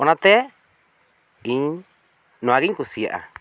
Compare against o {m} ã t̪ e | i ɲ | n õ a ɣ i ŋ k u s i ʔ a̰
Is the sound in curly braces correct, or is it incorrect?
incorrect